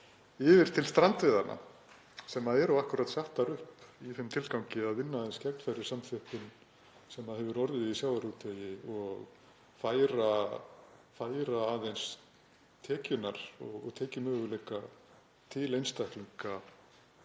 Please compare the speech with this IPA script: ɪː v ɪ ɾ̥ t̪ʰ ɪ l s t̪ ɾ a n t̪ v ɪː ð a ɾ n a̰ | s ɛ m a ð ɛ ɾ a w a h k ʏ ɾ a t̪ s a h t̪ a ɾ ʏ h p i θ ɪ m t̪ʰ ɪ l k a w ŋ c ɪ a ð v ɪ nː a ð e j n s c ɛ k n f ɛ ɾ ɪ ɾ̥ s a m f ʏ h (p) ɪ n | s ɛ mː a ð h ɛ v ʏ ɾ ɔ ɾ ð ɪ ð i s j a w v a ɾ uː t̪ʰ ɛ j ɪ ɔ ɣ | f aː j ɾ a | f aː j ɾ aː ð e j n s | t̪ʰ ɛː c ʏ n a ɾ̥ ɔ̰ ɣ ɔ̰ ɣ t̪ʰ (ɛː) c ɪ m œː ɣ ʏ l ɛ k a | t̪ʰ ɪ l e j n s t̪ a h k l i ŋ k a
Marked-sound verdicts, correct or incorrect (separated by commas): correct, correct